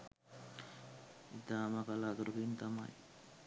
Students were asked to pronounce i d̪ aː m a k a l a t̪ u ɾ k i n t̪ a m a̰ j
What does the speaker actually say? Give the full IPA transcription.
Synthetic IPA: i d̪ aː m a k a l a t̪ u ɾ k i n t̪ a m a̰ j